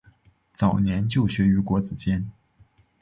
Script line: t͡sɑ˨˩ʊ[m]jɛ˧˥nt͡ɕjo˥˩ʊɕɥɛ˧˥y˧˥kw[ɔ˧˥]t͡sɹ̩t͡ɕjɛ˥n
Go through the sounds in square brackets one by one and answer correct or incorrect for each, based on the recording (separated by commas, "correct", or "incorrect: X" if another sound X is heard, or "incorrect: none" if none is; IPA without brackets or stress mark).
incorrect: n, correct